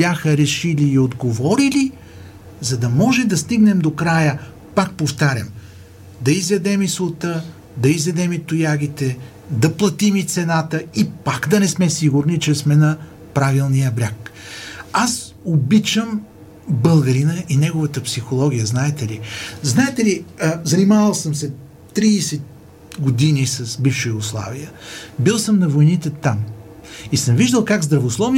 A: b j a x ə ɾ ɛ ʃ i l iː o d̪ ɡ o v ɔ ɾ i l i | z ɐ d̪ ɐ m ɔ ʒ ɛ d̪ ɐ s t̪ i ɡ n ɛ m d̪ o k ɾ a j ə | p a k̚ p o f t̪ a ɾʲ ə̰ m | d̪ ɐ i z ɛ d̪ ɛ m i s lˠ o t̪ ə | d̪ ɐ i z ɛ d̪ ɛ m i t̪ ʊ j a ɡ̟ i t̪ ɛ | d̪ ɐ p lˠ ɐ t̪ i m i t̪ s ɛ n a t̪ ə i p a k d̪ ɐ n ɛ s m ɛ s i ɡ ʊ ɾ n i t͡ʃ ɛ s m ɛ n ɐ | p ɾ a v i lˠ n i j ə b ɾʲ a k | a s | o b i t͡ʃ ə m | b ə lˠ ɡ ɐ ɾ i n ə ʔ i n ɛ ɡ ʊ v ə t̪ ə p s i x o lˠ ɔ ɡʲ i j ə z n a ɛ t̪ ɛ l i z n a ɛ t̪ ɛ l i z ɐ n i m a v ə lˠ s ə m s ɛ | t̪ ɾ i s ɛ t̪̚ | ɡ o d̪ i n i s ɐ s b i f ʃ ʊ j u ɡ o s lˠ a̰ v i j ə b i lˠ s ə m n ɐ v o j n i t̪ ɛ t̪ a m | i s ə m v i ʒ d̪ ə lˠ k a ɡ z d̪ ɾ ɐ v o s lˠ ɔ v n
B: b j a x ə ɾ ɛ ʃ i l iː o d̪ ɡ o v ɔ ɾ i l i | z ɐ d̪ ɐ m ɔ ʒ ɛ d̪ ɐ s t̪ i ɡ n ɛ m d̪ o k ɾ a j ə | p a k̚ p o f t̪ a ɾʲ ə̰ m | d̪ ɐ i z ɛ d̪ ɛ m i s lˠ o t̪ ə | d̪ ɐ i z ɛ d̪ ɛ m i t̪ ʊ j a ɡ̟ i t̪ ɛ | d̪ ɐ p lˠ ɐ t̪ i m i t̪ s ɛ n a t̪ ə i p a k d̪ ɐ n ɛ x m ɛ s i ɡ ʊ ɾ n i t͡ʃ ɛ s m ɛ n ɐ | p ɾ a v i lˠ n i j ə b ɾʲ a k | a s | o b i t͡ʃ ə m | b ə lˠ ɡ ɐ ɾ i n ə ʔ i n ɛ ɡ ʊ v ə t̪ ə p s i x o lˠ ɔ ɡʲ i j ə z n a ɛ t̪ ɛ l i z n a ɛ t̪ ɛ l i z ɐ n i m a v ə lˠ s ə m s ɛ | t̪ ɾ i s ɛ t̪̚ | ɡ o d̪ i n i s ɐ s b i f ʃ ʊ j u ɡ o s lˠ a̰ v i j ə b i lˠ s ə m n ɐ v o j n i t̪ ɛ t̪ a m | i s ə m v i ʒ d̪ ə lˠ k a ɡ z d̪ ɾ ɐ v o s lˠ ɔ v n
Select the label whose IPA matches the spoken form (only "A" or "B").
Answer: A